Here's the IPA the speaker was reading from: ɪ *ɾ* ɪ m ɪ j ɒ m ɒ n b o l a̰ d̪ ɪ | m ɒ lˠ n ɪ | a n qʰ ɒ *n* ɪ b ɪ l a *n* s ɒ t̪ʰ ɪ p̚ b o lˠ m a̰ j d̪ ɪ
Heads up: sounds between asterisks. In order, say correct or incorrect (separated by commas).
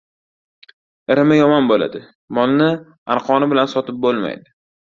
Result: correct, correct, correct